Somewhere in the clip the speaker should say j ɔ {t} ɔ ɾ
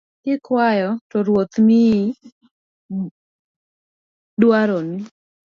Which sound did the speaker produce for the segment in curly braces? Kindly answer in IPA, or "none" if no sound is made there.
t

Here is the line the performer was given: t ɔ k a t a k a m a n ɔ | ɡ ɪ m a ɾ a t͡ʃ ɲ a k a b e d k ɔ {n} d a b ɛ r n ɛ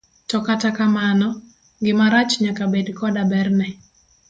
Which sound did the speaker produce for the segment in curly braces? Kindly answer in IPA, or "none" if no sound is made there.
none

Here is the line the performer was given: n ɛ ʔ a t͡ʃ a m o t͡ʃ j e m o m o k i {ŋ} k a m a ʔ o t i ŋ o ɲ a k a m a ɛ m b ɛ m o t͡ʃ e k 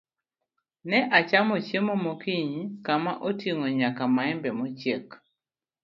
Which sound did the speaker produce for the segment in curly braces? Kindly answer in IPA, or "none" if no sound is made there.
ɲ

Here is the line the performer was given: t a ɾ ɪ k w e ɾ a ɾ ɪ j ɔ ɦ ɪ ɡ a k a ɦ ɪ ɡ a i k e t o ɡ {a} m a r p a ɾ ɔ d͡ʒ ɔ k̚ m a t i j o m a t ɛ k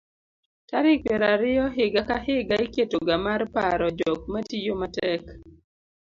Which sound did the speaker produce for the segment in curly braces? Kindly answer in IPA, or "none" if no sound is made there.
a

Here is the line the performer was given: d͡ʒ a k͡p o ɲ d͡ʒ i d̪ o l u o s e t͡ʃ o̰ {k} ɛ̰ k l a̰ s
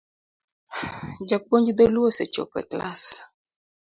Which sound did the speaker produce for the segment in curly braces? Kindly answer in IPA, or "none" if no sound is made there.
p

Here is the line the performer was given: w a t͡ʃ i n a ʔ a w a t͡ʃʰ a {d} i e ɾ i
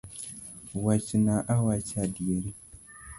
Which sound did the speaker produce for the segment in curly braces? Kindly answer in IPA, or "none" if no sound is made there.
d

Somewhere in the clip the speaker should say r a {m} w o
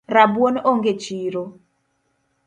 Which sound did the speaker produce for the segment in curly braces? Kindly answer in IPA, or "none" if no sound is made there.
b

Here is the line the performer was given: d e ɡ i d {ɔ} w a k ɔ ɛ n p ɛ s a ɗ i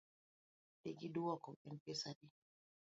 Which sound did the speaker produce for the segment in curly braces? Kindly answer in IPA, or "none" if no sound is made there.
u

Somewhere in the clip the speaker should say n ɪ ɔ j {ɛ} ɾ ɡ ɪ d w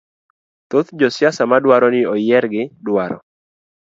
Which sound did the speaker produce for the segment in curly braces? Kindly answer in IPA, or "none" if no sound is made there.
ɛ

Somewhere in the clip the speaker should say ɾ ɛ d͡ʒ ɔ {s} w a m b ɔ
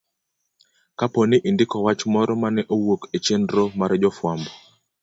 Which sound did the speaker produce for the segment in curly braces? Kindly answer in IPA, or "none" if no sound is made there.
f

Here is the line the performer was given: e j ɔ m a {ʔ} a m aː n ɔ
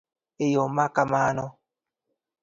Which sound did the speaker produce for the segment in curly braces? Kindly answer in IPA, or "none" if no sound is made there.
k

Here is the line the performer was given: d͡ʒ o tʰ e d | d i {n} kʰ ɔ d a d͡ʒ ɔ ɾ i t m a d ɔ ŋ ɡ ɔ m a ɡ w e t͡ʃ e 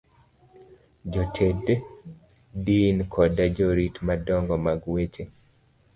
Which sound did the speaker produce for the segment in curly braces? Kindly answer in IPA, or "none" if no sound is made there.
n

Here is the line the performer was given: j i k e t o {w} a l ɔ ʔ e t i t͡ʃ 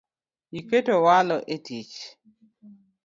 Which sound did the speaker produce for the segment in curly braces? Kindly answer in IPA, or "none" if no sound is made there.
w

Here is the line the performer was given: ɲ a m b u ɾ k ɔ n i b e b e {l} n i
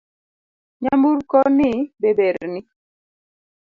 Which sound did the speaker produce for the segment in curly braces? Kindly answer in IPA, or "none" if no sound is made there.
ɾ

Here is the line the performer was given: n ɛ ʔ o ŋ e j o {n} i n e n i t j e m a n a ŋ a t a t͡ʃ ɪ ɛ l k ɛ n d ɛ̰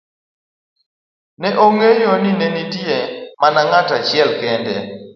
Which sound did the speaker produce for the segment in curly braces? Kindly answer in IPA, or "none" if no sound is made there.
n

